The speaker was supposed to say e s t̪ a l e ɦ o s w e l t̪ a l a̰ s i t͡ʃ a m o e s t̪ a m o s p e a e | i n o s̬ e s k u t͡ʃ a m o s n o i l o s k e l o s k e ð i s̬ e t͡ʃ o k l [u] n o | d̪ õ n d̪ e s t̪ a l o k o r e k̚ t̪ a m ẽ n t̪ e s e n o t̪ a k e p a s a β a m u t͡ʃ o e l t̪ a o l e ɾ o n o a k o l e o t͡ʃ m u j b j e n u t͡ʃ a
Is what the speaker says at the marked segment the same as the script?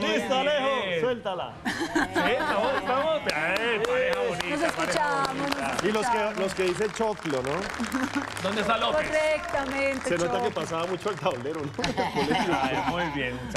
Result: no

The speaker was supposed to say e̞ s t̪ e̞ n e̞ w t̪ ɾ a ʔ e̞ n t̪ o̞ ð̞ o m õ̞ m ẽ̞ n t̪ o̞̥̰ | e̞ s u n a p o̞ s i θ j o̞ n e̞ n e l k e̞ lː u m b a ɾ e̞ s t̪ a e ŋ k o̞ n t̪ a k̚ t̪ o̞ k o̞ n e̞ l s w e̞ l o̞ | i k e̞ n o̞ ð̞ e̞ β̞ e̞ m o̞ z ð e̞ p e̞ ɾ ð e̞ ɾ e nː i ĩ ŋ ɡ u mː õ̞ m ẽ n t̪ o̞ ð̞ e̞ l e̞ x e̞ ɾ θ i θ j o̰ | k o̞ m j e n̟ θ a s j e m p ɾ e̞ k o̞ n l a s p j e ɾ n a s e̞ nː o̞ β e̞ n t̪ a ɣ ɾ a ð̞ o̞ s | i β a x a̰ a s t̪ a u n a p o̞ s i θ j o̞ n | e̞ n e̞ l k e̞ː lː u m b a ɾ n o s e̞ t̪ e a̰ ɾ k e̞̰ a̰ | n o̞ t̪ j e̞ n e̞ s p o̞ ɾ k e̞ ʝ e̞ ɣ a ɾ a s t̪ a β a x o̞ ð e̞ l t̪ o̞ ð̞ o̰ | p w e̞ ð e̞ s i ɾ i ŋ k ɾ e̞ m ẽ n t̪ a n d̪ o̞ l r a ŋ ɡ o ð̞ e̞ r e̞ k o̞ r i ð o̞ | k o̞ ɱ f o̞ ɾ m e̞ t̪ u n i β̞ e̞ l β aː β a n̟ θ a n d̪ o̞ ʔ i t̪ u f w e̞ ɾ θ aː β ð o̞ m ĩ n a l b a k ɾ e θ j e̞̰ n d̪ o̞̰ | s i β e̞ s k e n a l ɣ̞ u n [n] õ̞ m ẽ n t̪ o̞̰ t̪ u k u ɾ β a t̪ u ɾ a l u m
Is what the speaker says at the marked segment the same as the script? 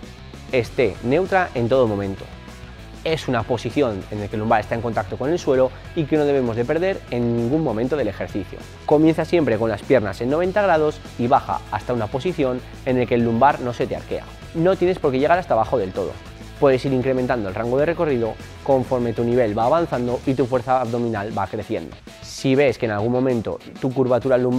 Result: no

